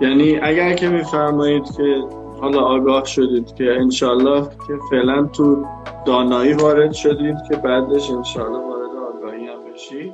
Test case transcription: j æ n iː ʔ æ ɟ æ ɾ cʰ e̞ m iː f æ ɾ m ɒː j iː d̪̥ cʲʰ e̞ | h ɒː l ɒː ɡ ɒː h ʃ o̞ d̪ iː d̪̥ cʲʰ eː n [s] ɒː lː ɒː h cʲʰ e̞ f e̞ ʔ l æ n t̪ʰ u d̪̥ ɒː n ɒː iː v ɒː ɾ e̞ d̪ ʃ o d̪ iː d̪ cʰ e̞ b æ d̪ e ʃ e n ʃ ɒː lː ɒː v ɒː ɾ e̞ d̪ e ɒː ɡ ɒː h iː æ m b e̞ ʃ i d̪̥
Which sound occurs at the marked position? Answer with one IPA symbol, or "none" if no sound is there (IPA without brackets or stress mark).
ʃ